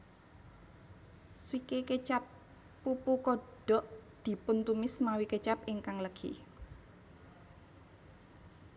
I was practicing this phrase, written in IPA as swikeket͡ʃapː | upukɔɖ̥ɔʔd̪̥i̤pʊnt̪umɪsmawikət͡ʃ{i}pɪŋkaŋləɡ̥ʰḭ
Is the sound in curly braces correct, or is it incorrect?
incorrect